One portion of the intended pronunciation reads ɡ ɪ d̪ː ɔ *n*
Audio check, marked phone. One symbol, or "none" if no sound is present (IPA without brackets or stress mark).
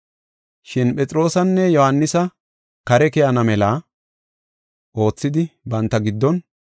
n